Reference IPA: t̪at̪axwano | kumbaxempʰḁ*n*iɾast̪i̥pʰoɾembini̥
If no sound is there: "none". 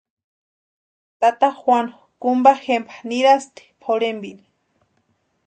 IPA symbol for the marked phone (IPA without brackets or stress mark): n